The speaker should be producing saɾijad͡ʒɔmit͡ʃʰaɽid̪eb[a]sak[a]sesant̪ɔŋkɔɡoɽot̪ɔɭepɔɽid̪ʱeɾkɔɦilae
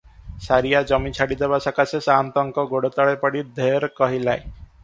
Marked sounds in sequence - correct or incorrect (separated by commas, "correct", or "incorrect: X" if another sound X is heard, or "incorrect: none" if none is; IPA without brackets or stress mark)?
correct, correct